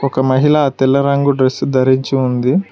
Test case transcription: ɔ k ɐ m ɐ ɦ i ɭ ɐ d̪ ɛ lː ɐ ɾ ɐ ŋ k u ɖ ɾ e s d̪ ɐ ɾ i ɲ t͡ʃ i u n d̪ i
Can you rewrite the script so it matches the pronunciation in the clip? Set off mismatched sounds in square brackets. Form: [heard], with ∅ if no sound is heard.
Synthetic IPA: ɔ k ɐ m ɐ ɦ i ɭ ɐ [t̪] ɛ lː ɐ ɾ ɐ ŋ [ɡ] u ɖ ɾ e s d̪ ɐ ɾ i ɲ t͡ʃ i u n d̪ i